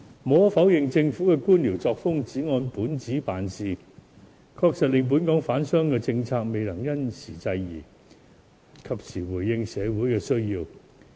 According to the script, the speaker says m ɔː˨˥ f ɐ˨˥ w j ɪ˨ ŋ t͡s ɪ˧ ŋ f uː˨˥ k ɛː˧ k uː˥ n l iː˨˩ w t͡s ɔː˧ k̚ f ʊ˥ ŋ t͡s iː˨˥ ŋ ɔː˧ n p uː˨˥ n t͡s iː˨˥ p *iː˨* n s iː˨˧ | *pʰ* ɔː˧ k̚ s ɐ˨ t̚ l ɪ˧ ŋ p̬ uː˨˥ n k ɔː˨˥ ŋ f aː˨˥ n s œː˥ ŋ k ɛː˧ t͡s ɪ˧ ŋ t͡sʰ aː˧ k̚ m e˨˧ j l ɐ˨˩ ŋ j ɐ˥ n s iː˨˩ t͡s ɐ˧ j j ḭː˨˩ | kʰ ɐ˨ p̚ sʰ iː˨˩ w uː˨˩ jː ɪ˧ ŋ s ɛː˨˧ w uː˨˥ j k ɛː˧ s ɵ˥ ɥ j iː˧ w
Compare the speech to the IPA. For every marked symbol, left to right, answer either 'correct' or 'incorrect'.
incorrect: aː˨, incorrect: kʰ

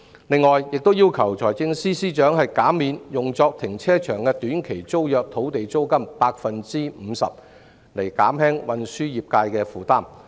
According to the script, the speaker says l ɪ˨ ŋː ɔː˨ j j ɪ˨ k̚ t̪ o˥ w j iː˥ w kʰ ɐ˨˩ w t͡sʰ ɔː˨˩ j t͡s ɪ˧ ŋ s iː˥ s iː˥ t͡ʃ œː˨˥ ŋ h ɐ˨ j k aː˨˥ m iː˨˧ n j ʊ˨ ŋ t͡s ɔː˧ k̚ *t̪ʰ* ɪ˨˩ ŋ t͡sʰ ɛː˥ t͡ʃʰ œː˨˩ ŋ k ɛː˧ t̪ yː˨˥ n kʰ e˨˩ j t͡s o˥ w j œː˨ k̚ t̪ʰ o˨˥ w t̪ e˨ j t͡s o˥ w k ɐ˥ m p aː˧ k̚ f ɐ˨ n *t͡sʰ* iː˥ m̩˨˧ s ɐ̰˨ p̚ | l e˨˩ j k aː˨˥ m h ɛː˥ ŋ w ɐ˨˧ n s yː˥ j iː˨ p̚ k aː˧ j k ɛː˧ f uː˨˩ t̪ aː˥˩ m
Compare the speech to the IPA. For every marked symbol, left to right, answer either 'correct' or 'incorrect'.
correct, incorrect: t͡s

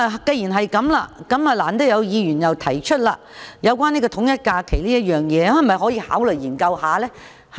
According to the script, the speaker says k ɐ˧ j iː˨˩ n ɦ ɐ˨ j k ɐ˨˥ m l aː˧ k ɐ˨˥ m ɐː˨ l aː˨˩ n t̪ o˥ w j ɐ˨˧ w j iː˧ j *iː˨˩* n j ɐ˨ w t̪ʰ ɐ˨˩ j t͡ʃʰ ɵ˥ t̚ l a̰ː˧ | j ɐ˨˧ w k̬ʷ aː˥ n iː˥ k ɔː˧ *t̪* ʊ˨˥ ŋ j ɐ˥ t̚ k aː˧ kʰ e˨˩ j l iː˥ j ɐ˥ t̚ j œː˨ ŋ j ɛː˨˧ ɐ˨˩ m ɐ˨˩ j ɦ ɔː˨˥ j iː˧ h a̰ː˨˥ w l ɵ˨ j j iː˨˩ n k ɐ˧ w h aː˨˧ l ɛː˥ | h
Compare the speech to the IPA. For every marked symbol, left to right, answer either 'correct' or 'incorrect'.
incorrect: yː˨˩, incorrect: t̪ʰ

